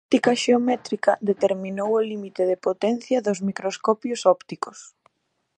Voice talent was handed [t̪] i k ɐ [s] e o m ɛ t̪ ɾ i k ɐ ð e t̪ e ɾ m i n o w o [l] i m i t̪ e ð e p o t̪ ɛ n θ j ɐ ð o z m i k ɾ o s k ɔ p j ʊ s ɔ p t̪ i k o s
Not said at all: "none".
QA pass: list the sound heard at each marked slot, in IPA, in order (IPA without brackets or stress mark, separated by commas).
t̪, ʃ, l